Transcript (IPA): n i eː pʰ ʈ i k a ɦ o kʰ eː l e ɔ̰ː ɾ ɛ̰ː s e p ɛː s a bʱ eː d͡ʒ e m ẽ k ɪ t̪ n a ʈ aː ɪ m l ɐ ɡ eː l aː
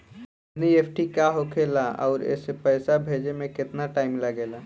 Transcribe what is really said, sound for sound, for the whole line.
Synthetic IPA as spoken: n i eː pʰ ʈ i k a ɦ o kʰ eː l a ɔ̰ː ɾ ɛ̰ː s e p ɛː s a bʱ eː d͡ʒ e m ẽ k ɪ t̪ n a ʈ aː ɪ m l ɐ ɡ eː l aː